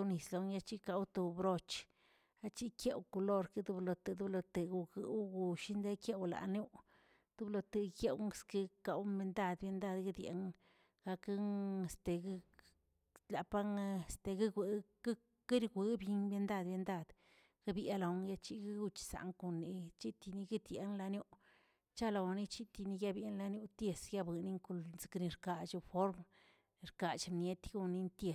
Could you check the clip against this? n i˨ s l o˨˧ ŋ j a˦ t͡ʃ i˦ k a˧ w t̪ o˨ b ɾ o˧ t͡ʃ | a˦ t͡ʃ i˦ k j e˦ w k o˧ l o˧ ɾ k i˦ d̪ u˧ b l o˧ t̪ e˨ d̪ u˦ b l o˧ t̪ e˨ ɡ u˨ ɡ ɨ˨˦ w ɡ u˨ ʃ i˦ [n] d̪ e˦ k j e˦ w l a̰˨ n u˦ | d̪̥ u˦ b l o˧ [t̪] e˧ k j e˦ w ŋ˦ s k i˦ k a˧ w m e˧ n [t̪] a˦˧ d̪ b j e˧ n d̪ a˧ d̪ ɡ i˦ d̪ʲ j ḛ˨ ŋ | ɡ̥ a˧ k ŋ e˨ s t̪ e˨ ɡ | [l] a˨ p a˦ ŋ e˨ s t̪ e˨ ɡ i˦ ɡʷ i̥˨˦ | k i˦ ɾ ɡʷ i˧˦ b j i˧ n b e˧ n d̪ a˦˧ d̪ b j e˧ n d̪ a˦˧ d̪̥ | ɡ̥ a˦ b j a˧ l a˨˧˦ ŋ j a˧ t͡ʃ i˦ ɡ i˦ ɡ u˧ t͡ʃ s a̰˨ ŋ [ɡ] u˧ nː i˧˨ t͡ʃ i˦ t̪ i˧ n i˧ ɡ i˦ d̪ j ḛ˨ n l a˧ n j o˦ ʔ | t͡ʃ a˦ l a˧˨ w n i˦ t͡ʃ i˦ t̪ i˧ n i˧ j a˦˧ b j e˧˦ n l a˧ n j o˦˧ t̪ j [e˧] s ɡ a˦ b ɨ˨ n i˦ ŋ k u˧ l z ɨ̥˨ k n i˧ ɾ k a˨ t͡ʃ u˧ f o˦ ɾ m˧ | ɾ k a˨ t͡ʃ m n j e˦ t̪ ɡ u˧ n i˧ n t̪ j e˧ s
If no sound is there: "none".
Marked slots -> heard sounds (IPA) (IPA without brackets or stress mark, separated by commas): n, t̪, d̪, l, k, e˧